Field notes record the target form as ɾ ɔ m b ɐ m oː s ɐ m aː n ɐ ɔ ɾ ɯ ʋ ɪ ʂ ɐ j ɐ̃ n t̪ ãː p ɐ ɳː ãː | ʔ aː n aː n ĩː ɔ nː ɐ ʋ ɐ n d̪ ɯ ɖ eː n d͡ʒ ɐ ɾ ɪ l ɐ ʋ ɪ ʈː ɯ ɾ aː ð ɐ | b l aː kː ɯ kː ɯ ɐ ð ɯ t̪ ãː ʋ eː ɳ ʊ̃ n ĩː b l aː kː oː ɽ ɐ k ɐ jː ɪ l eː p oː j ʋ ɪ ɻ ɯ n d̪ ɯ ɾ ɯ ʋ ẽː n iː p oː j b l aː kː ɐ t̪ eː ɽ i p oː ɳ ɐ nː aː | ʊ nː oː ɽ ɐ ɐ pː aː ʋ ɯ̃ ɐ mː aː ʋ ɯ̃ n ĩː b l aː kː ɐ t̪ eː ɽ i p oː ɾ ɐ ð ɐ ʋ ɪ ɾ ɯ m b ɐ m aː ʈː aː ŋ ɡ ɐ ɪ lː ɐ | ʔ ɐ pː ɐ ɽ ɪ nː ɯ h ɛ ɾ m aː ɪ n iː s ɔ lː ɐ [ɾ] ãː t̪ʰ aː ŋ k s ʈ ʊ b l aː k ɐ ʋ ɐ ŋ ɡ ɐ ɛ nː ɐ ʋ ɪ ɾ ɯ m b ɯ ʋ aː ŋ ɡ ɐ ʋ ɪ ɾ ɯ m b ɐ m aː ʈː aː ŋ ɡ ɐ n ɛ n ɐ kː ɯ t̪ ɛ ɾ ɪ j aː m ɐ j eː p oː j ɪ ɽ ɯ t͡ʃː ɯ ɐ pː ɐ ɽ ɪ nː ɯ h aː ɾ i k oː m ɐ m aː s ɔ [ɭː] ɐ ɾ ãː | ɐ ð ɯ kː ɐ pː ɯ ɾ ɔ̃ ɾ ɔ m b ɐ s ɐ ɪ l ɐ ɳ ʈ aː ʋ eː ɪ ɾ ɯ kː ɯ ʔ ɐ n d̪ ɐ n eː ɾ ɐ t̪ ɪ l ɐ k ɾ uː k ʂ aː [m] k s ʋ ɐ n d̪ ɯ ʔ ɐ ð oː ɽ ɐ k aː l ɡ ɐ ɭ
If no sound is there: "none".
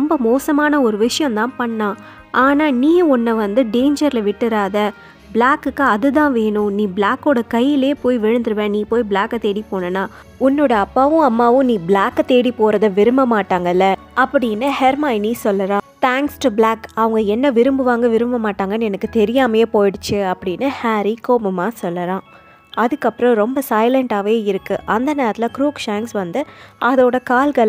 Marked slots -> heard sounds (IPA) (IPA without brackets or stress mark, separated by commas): ɾ, lː, ŋ